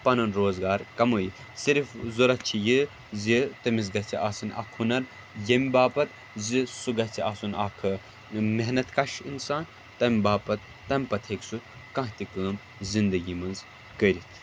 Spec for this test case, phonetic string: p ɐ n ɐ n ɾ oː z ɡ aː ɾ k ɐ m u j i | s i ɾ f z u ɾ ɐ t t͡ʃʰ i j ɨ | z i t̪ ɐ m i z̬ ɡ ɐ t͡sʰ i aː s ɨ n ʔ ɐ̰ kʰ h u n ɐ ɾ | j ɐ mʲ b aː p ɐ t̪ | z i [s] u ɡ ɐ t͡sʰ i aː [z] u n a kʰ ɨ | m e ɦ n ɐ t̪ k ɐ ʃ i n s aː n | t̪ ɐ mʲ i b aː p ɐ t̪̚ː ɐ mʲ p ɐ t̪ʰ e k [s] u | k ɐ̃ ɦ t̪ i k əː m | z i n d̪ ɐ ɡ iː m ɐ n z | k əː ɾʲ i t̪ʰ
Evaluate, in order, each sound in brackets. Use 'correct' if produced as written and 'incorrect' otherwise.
correct, incorrect: s, correct

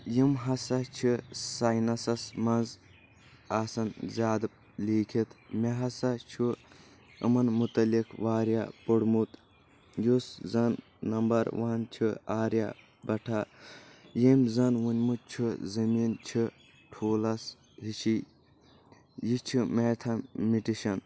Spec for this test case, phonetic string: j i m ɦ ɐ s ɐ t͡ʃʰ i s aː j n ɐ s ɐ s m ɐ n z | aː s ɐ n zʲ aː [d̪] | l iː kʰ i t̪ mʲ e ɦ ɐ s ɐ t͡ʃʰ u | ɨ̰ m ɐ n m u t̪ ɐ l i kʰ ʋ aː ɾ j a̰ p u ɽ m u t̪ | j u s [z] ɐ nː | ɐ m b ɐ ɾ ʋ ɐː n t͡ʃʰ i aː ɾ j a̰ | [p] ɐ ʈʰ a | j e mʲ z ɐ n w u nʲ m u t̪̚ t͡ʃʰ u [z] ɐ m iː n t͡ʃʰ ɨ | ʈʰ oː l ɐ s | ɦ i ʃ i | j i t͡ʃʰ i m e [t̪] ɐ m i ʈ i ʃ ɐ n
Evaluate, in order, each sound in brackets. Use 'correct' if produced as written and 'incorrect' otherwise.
correct, correct, incorrect: b, correct, incorrect: t̪ʰ

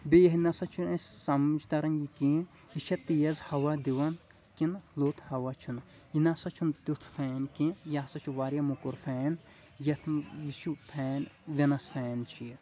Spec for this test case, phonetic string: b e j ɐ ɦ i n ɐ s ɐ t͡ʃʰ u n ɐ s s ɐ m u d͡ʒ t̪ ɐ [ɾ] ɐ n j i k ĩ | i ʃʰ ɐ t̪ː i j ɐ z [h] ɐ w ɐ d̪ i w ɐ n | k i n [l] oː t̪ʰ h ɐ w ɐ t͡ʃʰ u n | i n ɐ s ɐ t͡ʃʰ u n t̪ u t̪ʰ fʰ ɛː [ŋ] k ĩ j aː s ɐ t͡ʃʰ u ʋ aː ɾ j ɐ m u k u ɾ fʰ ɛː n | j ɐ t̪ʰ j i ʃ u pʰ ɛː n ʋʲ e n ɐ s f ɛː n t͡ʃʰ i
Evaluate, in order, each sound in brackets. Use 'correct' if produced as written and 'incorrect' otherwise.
correct, correct, correct, incorrect: n

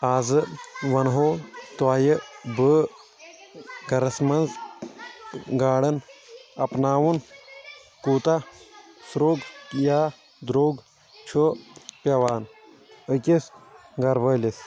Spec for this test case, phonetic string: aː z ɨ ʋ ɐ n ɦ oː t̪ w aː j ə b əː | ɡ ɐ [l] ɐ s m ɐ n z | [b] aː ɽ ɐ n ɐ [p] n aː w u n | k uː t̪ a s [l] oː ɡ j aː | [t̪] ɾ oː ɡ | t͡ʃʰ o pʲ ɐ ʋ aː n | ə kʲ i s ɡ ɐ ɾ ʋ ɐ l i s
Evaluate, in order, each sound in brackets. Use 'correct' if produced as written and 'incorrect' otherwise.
incorrect: ɾ, incorrect: ɡ, correct, incorrect: ɾ, incorrect: d̪

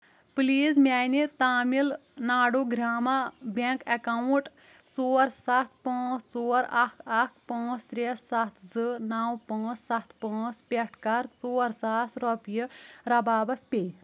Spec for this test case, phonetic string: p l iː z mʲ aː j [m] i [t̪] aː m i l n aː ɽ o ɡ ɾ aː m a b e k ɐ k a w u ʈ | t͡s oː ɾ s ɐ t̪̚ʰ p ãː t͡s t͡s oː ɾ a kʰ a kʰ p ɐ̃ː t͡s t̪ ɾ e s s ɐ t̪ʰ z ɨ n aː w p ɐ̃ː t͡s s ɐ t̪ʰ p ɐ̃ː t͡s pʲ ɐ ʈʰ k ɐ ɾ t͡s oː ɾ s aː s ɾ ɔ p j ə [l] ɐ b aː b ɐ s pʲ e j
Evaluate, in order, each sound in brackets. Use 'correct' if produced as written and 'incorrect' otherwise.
incorrect: n, correct, incorrect: ɾ

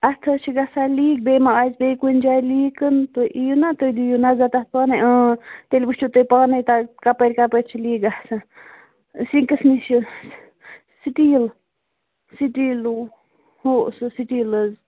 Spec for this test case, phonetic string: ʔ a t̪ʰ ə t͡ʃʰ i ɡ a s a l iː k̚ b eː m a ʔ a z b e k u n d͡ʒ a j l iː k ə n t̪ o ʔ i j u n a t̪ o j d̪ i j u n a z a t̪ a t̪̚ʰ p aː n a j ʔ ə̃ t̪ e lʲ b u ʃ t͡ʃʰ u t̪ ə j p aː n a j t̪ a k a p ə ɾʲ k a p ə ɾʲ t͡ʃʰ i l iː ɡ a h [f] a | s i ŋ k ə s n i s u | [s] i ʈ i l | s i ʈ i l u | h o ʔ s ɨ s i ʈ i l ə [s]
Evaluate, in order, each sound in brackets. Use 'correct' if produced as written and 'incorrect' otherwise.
incorrect: s, correct, incorrect: z

